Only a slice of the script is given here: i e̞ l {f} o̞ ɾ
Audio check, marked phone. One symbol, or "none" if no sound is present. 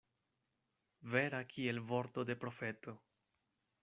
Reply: v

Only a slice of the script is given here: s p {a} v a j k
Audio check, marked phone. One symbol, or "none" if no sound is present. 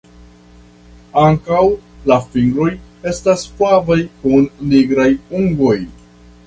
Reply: a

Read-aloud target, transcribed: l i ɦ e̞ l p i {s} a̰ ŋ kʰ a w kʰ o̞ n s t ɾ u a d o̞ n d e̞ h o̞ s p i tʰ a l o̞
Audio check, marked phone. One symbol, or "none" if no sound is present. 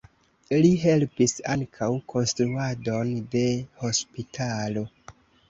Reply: s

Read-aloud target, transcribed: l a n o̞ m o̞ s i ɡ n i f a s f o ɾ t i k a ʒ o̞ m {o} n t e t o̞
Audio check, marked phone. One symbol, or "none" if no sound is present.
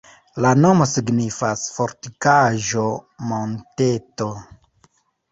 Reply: o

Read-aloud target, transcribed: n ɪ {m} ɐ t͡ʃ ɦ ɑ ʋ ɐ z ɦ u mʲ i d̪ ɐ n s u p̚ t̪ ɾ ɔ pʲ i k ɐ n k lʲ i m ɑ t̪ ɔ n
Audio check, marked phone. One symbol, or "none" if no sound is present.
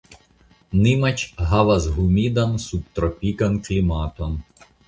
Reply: m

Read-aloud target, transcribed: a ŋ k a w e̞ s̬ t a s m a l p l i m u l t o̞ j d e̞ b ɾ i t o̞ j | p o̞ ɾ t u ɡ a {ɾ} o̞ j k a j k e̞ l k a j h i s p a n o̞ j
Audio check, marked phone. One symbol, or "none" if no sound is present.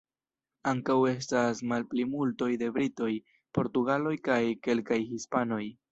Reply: l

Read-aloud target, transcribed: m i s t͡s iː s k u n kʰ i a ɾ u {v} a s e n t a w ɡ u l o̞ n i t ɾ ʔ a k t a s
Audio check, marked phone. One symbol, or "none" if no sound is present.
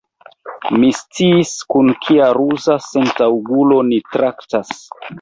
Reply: z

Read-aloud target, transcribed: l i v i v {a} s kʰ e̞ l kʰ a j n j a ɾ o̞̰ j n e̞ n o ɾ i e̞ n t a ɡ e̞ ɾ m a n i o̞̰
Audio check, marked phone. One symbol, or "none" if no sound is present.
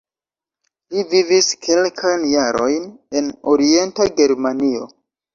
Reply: i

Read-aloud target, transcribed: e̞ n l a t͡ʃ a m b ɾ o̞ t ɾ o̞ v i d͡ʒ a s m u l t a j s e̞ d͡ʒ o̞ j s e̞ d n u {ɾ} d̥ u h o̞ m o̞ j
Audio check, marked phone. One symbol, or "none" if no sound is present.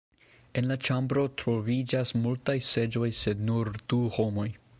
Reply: ɾ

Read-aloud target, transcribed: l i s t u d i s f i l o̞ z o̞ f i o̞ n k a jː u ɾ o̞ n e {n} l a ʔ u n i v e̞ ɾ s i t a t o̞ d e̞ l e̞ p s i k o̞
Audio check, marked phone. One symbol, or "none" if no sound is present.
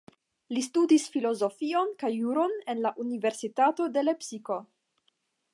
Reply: n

